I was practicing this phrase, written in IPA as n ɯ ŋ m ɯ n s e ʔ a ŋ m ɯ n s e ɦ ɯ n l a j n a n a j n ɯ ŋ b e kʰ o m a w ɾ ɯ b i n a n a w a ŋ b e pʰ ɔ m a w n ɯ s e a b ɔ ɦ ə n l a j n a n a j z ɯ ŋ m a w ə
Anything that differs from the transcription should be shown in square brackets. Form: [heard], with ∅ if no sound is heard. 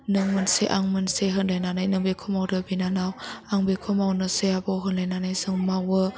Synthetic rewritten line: n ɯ ŋ m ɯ n s e ʔ a ŋ m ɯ n s e ɦ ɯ n l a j n a n a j n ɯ ŋ b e kʰ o m a w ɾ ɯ b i n a n a w a ŋ b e [kʰ] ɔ m a w n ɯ s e a b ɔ ɦ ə n l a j n a n a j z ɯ ŋ m a w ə